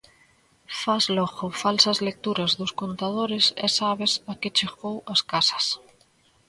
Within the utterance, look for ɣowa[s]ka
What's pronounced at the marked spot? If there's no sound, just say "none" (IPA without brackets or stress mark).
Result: s